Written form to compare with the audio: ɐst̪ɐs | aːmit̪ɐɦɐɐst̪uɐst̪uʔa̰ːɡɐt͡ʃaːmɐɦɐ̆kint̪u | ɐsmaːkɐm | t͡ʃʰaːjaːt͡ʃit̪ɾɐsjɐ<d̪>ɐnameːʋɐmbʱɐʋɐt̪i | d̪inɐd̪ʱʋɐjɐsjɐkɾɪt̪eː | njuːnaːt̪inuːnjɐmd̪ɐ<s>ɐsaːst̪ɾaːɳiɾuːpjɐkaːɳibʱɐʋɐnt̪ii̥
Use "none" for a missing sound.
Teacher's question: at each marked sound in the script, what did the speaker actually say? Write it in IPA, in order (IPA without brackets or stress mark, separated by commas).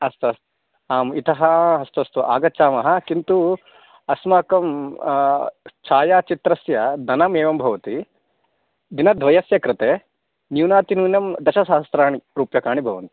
d̪, ʃ